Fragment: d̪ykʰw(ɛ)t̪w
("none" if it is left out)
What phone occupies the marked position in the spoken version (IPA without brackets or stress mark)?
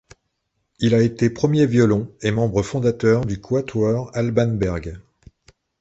a